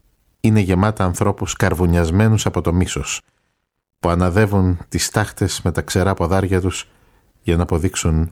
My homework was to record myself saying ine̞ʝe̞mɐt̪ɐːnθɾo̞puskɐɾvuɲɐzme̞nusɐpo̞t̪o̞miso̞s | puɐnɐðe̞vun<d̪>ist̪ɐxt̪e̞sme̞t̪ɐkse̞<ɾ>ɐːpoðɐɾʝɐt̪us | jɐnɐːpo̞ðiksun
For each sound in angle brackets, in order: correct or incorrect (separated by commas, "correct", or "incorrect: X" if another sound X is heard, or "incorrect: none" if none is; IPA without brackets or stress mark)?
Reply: incorrect: t̪, correct